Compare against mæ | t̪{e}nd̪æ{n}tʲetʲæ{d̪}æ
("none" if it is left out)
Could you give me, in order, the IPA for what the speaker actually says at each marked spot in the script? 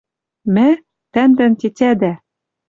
æ, n, d̪

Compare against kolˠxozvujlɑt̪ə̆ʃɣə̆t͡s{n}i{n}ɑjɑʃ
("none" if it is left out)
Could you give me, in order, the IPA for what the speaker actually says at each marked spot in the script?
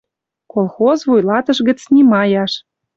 n, m

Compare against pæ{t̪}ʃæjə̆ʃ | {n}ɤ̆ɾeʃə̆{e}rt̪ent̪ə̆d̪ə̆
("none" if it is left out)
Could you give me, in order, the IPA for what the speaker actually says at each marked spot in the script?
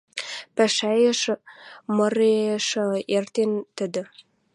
none, m, e

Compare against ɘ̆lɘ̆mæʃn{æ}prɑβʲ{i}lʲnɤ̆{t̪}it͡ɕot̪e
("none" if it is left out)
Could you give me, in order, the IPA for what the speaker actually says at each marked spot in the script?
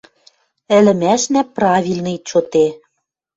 æ, i, none

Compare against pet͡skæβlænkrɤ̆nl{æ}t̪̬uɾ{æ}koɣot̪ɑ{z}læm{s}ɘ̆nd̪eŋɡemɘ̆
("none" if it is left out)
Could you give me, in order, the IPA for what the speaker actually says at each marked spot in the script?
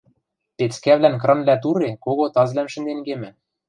æ, e, z, ʃ

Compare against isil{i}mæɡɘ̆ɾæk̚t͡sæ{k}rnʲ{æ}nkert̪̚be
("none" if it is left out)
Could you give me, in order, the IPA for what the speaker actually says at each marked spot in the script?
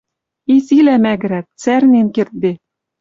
æ, none, e

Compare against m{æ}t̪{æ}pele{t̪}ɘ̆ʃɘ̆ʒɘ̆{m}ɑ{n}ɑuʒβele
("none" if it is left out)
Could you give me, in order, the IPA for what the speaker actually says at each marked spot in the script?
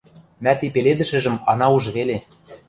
æ, i, d̪, m, n

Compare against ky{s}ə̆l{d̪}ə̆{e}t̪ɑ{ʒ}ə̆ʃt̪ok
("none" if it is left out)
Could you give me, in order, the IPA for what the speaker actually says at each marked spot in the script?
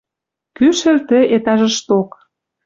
ʃ, t̪, e, ʒ

